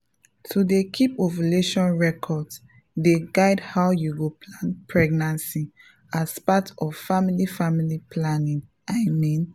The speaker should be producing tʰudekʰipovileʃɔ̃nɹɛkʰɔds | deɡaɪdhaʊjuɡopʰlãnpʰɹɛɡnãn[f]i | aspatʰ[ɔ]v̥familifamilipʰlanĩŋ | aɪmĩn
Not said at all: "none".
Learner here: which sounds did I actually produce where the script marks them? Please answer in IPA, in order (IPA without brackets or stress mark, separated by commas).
s, ɔ